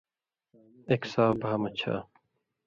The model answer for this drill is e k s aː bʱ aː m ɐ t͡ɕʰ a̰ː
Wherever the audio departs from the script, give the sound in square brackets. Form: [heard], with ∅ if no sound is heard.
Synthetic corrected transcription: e k s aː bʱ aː m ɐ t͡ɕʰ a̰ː